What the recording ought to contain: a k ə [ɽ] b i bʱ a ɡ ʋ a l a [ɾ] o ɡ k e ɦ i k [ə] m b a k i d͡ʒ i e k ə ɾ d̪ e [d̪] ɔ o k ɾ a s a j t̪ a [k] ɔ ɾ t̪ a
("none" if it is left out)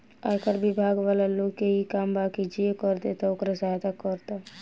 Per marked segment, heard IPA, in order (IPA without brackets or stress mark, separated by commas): ɾ, l, a, t̪, k